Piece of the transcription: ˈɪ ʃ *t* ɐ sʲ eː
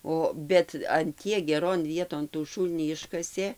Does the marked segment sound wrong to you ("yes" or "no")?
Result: yes